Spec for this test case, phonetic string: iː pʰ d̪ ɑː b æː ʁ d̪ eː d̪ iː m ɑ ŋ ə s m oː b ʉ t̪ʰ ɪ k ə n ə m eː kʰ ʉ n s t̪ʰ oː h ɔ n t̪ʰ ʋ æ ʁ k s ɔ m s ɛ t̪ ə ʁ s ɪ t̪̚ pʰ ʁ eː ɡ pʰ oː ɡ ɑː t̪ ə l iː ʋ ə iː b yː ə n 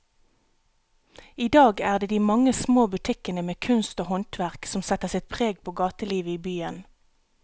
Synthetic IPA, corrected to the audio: iː d̪ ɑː ɡ æː ʁ d̪ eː d̪ iː m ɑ ŋ ə s m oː b ʉ t̪ʰ ɪ k ə n ə m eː kʰ ʉ n s t̪ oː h ɔ n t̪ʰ ʋ æ ʁ k s ɔ m s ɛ t̪ ə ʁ s ɪ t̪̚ pʰ ʁ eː ɡ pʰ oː ɡ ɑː t̪ ə l iː ʋ ə iː b yː ə n

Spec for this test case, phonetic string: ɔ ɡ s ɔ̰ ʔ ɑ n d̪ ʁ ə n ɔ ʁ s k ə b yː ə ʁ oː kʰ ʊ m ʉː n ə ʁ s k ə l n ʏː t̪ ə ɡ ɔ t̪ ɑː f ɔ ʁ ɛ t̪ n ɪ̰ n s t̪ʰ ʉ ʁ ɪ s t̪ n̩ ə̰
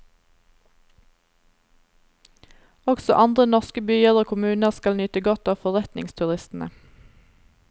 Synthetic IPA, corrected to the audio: ɔ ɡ s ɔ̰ ʔ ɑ n d̪ ʁ ə n ɔ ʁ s k ə b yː ə ʁ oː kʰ ʊ m ʉː n ə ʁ s k ɑ l n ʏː t̪ ə ɡ ɔ t̪ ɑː f ɔ ʁ ɛ t̪ n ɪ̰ ŋ s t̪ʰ ʉ ʁ ɪ s t̪ n̩ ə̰

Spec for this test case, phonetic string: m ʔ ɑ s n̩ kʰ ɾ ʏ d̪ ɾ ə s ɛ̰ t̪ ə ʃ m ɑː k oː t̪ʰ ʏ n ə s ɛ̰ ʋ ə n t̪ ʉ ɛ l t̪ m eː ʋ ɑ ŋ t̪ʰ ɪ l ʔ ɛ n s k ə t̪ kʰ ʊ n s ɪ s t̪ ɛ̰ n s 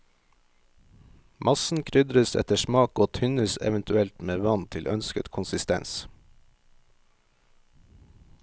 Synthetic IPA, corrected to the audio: m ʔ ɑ s n̩ kʰ ɾ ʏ d̪ ɾ ə s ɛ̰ t̪ ə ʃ m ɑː k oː t̪ʰ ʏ n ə s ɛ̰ ʋ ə n t̪ ʉ ɛ l t̪ m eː ʋ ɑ n t̪ʰ ɪ l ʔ œ n s k ə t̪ kʰ ʊ n s ɪ s t̪ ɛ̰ n s

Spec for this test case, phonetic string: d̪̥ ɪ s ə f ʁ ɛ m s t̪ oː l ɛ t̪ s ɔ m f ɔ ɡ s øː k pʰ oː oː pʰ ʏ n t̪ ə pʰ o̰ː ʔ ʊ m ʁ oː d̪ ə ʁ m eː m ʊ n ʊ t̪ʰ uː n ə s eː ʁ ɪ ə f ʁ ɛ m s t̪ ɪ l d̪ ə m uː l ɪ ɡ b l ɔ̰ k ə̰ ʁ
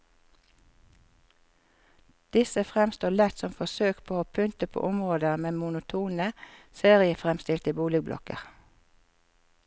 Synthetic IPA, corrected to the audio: d̪̥ ɪ s ə f ʁ ɛ m s t̪ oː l ɛ t̪ s ɔ m f ɔ s øː k pʰ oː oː pʰ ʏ n t̪ ə pʰ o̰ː ʔ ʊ m ʁ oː d̪ ə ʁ m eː m ʊ n ʊ t̪ʰ uː n ə s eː ʁ ɪ ə f ʁ ɛ m s t̪ ɪ l t̪ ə b uː l ɪ ɡ b l ɔ̰ k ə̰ ʁ

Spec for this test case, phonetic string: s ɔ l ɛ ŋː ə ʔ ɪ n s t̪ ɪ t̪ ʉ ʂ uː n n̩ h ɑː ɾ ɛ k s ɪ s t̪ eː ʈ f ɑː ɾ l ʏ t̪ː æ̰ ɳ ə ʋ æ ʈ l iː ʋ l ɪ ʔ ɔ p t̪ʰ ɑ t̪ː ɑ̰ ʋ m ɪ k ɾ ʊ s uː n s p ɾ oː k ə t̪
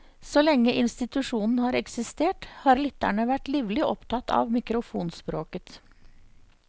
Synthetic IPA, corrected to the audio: s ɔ l ɛ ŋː ə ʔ ɪ n s t̪ ɪ t̪ ʉ ʂ uː n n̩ h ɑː ɾ ɛ k s ɪ s t̪ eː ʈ h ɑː ɾ l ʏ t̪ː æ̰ ɳ ə ʋ æ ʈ l iː ʋ l ɪ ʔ ɔ p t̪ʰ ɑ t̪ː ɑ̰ ʋ m ɪ k ɾ ʊ f uː n s p ɾ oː k ə t̪

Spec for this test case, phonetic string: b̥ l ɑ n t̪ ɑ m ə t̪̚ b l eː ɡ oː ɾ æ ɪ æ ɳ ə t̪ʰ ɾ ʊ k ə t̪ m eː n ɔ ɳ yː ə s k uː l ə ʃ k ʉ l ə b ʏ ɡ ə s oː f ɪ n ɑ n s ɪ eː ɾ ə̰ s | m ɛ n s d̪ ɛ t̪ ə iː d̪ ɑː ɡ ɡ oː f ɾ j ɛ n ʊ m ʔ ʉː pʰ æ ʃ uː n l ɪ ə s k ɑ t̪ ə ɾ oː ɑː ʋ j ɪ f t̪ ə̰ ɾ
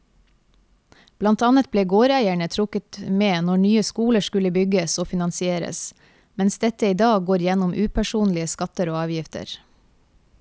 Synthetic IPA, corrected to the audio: b̥ l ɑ n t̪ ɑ n ə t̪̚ b l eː ɡ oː ɾ æ ɪ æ ɳ ə t̪ʰ ɾ ʊ k ə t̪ m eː n ɔ ɳ yː ə s k uː l ə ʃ k ʉ l ə b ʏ ɡ ə s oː f ɪ n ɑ n s ɪ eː ɾ ə̰ s | m ɛ n s d̪ ɛ t̪ ə iː d̪ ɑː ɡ ɡ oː ɾ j ɛ n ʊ m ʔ ʉː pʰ æ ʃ uː n l ɪ ə s k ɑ t̪ ə ɾ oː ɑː ʋ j ɪ f t̪ ə̰ ɾ

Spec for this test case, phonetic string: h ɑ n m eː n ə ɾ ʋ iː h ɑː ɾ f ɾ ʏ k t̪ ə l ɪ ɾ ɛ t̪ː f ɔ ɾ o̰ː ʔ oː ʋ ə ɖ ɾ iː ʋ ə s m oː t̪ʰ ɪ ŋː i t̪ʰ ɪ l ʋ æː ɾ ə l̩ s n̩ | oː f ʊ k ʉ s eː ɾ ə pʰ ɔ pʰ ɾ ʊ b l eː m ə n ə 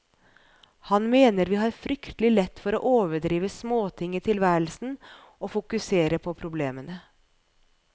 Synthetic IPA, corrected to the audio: h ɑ n m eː n ə ɾ ʋ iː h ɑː ɾ f ɾ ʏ k t̪ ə l ɪ l ɛ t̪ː f ɔ ɾ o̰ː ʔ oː ʋ ə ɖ ɾ iː ʋ ə s m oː t̪ʰ ɪ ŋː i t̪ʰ ɪ l ʋ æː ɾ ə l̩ s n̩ | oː f ʊ k ʉ s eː ɾ ə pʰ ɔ pʰ ɾ ʊ b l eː m ə n ə

